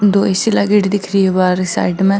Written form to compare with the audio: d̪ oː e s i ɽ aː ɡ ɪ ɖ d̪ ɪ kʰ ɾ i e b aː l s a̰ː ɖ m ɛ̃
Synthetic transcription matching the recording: d̪ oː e s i l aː ɡ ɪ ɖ d̪ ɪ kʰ ɾ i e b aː ɾ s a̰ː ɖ m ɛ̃